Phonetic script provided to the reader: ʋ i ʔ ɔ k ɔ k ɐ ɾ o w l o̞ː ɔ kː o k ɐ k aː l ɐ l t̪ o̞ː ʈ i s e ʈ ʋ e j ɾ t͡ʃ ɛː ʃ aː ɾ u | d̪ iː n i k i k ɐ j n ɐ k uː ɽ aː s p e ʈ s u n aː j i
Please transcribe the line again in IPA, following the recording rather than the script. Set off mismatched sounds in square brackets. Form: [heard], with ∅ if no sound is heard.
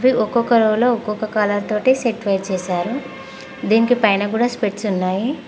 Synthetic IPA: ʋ i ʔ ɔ k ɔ k ɐ ɾ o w l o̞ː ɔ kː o k ɐ k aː l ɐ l t̪ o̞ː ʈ i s e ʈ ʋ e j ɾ t͡ʃ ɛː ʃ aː ɾ u | d̪ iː n i k i [p] ɐ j n ɐ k uː ɽ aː s p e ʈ s u [nː] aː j i